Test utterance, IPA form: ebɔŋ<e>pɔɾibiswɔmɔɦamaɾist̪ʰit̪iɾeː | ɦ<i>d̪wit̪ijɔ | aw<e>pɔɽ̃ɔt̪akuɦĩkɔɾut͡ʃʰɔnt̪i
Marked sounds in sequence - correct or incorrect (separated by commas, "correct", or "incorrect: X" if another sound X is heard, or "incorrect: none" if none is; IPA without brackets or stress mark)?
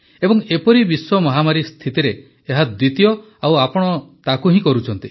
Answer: correct, incorrect: a, incorrect: a